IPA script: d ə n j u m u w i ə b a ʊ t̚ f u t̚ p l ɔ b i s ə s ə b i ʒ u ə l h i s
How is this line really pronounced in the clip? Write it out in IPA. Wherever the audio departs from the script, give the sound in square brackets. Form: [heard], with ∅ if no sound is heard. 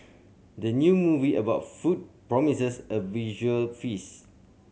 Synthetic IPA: d ə n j u m u [v] i ə b a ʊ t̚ f u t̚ p [ɹ] ɔ [m] i s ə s ə [v] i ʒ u ə l [f] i s